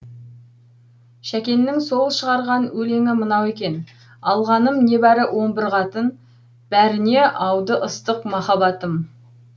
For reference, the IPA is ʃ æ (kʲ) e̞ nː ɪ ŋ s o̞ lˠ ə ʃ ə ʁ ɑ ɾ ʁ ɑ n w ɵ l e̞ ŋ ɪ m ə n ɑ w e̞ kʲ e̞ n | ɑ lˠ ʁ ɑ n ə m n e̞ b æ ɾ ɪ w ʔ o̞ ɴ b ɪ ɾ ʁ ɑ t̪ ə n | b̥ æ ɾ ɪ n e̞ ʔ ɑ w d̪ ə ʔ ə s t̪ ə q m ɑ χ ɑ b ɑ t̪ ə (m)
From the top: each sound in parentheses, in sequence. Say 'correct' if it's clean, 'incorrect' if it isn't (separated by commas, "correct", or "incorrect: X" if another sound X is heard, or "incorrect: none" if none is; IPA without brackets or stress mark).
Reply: correct, correct